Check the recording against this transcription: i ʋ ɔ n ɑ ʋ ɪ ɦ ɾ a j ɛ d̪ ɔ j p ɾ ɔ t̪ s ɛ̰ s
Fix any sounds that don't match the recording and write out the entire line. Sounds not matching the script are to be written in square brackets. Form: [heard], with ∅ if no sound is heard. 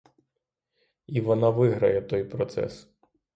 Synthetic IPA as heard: i ʋ ɔ n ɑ ʋ ɪ ɦ ɾ [ɐ] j ɛ [t̪] ɔ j p ɾ ɔ t̪ s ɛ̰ s